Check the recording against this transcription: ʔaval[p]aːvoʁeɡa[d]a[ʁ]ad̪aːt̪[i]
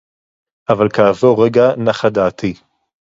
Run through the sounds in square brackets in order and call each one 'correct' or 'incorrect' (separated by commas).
incorrect, incorrect, incorrect, correct